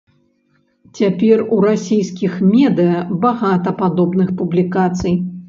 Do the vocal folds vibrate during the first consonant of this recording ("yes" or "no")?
no